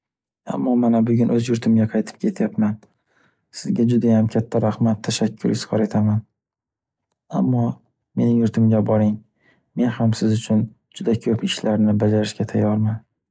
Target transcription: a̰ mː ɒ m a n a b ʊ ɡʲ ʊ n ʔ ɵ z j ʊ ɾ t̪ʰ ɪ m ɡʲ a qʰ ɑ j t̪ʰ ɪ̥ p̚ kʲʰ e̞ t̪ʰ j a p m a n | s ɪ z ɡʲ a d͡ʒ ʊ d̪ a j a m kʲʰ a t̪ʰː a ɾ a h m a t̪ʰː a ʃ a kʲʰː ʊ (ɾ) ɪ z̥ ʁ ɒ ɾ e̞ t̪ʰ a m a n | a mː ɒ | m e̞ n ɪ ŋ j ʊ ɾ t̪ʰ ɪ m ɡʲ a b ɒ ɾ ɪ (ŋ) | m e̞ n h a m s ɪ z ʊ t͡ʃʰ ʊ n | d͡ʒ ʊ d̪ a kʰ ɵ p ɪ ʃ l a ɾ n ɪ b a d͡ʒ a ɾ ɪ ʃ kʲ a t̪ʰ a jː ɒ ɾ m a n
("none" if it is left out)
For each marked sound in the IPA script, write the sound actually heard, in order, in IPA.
ɾ, ŋ

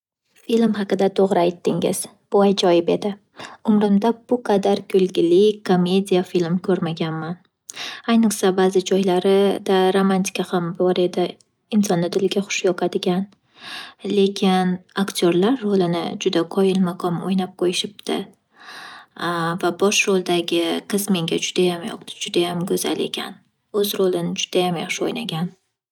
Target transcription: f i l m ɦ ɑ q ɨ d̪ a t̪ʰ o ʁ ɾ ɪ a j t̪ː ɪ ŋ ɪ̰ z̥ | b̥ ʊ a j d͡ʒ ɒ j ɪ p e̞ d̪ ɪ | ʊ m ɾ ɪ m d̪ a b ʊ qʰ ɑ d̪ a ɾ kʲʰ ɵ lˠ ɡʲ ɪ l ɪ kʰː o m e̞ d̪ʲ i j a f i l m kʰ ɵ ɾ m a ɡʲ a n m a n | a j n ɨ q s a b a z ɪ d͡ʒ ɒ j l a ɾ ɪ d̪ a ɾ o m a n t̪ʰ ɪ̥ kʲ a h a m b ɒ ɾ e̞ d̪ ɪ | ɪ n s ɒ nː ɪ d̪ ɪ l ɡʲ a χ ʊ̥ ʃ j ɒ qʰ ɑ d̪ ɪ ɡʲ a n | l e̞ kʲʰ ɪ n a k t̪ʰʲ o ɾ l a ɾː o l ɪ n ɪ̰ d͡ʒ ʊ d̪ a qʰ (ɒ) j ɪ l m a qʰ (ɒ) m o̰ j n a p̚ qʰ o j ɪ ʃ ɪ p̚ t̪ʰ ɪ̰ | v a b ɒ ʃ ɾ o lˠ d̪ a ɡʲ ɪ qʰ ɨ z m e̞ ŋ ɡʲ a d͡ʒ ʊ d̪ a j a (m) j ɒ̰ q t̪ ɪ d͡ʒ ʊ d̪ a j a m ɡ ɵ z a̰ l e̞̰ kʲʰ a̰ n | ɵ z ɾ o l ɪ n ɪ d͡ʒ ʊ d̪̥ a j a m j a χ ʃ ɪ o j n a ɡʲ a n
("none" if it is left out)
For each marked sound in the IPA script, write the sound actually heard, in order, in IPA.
ɒ, ɒ, m

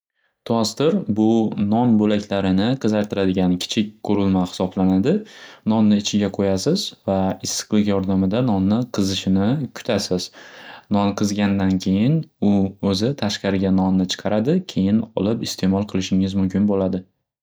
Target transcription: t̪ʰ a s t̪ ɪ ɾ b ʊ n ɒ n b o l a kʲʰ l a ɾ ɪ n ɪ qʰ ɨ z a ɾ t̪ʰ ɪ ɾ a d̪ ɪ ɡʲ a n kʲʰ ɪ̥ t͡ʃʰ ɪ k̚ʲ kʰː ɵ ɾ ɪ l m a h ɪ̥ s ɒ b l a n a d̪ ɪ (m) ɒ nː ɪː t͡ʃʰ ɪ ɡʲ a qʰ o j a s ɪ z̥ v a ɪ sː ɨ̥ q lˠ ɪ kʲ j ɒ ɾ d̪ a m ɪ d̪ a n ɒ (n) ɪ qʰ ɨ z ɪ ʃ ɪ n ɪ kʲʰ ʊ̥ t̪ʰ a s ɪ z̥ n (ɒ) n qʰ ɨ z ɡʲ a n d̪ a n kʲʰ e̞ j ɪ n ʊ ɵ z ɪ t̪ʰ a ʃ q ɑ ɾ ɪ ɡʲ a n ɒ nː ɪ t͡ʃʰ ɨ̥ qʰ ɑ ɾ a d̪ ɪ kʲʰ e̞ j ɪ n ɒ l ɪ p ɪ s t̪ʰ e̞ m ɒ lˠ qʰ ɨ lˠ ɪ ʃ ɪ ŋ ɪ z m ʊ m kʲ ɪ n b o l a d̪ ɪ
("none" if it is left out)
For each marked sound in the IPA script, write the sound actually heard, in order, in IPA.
n, nː, ɒ

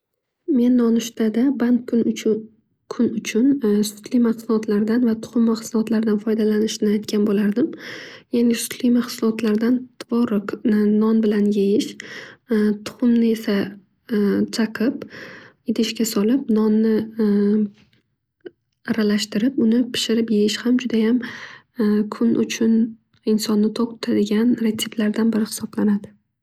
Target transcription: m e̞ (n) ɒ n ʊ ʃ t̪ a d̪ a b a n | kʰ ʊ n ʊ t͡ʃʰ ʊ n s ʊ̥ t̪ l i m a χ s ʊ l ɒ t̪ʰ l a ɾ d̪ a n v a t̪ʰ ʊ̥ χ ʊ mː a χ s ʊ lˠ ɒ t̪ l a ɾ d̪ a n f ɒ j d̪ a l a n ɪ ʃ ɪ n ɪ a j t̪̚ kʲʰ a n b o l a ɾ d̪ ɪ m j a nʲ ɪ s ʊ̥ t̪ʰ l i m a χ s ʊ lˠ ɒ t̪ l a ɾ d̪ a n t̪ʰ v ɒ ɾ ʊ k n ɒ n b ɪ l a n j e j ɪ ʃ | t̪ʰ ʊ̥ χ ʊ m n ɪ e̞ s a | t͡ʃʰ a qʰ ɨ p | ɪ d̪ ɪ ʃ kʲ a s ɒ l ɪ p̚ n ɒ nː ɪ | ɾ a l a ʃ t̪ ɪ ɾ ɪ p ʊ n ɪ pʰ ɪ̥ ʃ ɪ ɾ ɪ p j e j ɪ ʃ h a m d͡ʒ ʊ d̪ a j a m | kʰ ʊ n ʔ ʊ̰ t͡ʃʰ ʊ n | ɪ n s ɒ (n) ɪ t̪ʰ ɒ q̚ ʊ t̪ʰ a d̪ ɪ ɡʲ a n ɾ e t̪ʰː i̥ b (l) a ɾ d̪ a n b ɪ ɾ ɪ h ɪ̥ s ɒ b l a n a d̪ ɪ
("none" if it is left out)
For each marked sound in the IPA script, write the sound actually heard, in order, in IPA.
nː, nː, l

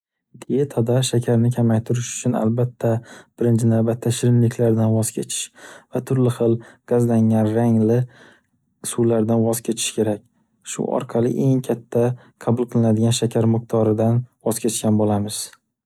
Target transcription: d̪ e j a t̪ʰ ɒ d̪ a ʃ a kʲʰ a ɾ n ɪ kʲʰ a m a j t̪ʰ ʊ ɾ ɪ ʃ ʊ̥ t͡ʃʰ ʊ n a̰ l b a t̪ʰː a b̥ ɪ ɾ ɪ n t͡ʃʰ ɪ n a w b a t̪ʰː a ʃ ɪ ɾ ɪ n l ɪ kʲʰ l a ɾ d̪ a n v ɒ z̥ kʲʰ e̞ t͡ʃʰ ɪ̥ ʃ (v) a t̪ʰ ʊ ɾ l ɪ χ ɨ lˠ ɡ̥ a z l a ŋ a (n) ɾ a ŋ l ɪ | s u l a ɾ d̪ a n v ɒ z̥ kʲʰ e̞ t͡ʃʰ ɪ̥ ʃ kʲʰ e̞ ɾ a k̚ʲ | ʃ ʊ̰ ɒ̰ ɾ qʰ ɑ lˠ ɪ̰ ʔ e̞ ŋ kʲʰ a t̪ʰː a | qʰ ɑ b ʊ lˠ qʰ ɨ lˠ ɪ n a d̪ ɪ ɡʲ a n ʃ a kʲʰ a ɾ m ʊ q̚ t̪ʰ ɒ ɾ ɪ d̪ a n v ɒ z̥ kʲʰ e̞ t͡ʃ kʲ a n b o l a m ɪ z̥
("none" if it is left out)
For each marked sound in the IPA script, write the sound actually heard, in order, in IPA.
v, n

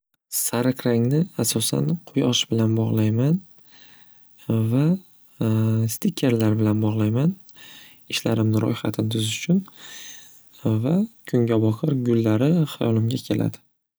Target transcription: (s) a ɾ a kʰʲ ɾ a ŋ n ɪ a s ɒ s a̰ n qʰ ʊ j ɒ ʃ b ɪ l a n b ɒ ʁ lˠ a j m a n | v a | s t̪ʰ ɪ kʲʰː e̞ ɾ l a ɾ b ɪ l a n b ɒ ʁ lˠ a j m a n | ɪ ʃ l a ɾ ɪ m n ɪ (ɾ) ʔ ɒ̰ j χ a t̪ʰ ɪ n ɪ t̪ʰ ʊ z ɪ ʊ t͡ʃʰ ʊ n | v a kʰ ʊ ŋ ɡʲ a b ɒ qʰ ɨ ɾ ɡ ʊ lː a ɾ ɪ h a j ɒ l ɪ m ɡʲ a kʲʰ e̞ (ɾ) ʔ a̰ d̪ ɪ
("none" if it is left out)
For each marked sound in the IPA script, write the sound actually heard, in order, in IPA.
s, ɾ, l

